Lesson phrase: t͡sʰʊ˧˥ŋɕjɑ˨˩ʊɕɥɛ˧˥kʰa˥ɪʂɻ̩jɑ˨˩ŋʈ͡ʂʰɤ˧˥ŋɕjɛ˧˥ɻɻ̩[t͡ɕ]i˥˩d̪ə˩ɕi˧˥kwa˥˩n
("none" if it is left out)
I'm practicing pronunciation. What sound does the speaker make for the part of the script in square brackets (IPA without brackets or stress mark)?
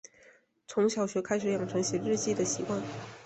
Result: t͡ɕ